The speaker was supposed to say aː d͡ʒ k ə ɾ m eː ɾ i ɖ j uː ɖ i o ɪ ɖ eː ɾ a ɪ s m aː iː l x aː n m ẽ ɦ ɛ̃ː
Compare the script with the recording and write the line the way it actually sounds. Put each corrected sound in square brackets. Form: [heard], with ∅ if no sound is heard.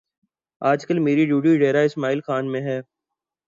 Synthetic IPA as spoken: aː d͡ʒ k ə [l] m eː ɾ i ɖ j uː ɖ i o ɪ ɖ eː ɾ a ɪ s m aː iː l x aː n m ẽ ɦ [ɛː]